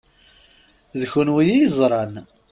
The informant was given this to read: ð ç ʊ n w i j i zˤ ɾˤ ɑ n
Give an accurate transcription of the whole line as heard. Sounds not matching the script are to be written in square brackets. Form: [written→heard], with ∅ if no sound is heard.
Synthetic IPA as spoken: ð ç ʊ n w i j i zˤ ɾˤ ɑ n